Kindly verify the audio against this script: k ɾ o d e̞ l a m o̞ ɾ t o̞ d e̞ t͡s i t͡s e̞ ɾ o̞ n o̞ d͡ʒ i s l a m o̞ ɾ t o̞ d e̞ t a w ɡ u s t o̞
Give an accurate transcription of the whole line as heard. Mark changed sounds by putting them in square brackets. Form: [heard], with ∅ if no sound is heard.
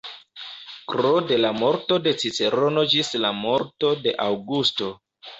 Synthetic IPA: k ɾ o d e̞ l a m o̞ ɾ t o̞ d e̞ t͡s i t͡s e̞ ɾ o̞ n o̞ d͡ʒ i s l a m o̞ ɾ t o̞ d e̞ [ʔ] a w ɡ u s t o̞